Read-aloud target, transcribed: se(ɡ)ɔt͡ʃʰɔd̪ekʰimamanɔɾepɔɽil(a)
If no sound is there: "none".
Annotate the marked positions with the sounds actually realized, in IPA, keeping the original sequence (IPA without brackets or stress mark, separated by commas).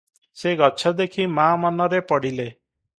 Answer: ɡ, e